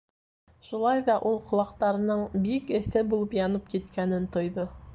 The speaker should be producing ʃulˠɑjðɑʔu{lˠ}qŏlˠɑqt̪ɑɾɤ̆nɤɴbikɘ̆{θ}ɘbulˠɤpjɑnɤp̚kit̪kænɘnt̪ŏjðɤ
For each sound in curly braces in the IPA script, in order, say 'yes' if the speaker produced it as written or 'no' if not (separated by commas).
yes, yes